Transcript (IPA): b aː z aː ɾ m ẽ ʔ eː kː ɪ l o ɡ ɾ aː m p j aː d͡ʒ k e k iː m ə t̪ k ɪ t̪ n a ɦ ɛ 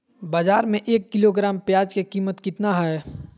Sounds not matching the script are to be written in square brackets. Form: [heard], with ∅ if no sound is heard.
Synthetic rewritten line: b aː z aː ɾ m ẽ ʔ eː kː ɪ l o ɡ ɾ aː m p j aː d͡ʒ k e k iː m ə t̪ k ɪ t̪ n a ɦ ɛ

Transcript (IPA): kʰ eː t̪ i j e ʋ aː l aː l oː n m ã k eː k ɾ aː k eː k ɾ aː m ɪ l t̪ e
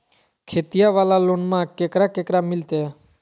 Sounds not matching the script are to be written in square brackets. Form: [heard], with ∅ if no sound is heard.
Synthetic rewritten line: kʰ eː t̪ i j [a] ʋ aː l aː l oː n m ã k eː k ɾ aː k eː k ɾ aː m ɪ l t̪ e

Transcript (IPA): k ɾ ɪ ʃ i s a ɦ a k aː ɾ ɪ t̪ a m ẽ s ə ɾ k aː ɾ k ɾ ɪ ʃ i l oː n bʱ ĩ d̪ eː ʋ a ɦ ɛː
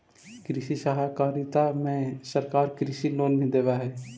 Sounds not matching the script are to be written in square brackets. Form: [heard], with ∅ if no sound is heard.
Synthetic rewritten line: k ɾ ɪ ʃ i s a ɦ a k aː ɾ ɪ t̪ a m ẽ s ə ɾ k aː ɾ k ɾ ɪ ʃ i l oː n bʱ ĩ d̪ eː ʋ a ɦ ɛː

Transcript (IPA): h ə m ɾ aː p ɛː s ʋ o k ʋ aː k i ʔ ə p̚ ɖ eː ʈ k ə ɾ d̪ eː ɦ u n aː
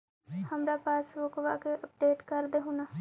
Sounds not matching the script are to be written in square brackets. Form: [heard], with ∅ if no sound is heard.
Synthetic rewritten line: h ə m ɾ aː p [aː] s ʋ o k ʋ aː k [e] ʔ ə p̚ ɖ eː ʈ k ə ɾ d̪ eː ɦ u n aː

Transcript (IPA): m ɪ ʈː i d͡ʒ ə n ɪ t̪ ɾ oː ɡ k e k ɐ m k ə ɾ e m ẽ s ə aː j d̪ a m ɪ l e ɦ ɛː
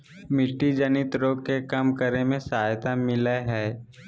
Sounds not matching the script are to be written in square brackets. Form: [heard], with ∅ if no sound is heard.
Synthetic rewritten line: m ɪ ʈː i d͡ʒ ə n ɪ t̪ ɾ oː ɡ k e k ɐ m k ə ɾ e m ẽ s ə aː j [t̪] a m ɪ l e ɦ ɛː

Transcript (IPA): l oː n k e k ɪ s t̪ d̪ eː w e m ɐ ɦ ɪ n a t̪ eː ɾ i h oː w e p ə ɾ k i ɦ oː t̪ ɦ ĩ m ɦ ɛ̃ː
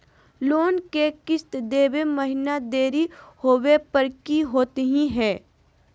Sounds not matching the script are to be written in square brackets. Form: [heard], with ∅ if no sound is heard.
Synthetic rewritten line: l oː n k e k ɪ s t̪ d̪ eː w e m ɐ ɦ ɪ n a [d̪] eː ɾ i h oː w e p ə ɾ k i ɦ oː t̪ ɦ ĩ [∅] ɦ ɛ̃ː

